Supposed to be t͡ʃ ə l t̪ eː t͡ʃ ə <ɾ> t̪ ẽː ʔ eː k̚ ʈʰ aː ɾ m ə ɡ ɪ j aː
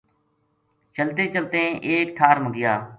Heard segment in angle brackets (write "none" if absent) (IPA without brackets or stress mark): l